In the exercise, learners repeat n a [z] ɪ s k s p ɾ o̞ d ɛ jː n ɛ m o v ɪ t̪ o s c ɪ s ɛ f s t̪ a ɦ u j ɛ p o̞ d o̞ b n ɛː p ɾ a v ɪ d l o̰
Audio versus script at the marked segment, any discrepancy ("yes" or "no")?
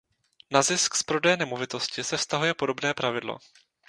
no